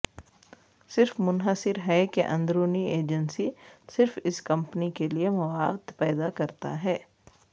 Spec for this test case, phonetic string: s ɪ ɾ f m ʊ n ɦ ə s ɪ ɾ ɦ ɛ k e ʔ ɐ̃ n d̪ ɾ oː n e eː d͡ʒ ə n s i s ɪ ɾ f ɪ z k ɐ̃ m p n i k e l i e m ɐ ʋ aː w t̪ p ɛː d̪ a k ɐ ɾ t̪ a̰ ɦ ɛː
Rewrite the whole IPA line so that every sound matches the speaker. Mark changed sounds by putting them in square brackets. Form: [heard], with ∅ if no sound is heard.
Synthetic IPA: s ɪ ɾ f m ʊ n ɦ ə s ɪ ɾ ɦ ɛ k e ʔ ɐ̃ n d̪ ɾ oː n [i] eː d͡ʒ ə n s i s ɪ ɾ f ɪ [s] k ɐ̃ m p n i k e l i e m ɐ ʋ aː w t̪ p ɛː d̪ a k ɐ ɾ t̪ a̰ ɦ ɛː